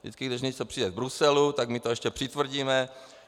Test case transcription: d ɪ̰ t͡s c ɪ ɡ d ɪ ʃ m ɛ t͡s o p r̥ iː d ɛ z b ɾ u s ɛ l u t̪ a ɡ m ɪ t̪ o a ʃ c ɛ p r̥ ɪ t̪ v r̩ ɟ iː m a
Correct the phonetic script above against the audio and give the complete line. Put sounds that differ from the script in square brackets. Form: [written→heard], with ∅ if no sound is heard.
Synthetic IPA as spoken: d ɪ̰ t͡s [c→k] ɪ ɡ d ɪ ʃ [m→ɲ] ɛ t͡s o p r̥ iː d ɛ [z→v] b ɾ u s ɛ l u t̪ a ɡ m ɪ t̪ o [a→ɛ] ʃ c ɛ p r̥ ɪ t̪ v r̩ ɟ iː m [a→ɛ]